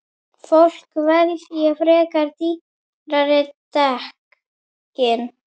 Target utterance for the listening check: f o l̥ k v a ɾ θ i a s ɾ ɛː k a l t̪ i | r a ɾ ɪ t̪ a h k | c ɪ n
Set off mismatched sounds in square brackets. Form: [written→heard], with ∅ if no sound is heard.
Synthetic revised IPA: f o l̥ k v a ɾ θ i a [s→f] ɾ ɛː k a [l→ɾ] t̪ i | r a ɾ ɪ t̪ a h k | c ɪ n